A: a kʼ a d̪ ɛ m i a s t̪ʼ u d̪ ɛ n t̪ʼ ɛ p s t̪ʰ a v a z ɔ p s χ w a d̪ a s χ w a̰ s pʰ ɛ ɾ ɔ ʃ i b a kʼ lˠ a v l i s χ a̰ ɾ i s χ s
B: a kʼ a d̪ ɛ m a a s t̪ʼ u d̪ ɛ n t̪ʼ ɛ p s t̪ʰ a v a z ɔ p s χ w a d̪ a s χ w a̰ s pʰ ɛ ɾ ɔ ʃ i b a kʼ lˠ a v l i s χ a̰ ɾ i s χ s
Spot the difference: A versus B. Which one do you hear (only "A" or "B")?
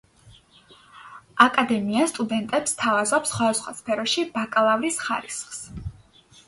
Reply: A